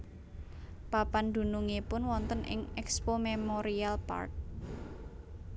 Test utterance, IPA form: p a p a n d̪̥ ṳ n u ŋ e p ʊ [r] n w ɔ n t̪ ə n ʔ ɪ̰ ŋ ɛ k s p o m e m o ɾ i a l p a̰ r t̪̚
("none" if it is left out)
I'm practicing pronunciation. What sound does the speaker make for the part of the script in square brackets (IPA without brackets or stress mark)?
none